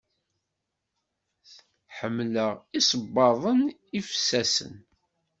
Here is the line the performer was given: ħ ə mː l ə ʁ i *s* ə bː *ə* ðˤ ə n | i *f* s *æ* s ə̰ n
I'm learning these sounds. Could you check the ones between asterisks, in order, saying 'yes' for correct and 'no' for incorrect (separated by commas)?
yes, no, yes, yes